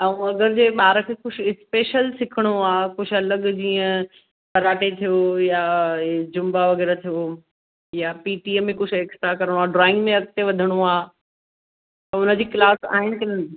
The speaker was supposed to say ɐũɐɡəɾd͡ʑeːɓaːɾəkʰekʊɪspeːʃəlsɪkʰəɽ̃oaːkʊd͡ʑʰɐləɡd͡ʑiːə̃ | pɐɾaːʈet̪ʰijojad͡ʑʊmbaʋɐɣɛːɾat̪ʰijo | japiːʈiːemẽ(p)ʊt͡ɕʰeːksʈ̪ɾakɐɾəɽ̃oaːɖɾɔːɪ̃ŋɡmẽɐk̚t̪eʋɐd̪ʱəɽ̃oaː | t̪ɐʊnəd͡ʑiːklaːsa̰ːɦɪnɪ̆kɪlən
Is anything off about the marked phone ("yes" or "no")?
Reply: yes